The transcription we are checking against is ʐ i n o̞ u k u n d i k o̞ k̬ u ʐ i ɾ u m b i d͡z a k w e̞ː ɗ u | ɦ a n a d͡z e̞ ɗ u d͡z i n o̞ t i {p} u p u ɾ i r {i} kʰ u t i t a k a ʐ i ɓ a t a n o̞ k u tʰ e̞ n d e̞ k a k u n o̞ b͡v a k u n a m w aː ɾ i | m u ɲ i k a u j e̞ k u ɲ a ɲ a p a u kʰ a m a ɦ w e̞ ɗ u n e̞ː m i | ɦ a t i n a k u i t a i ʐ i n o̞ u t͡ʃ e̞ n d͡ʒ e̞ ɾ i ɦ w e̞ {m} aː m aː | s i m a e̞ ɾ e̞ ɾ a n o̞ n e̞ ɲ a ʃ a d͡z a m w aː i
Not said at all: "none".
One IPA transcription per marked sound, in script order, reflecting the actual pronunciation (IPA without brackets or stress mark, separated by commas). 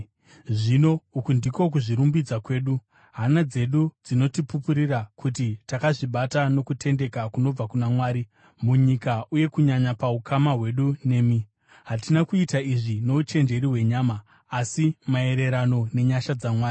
p, a, ɲ